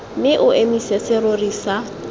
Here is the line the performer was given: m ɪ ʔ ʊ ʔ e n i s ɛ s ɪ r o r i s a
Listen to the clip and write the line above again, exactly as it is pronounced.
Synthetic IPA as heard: m ɪ ʔ ʊ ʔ e m i s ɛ s ɪ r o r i s a